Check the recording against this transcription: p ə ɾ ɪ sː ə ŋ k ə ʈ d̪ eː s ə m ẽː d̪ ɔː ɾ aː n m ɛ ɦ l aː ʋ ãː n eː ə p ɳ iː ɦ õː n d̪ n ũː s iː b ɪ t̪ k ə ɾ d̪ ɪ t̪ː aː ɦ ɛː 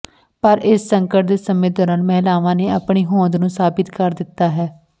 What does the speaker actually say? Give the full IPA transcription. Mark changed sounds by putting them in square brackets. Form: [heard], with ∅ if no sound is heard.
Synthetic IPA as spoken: p ə ɾ ɪ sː ə ŋ k ə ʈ d̪ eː s ə m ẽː d̪ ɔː ɾ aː n m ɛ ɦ l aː ʋ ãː n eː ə p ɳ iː ɦ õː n d̪ n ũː s [aː] b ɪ t̪ k ə ɾ d̪ ɪ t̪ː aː ɦ ɛː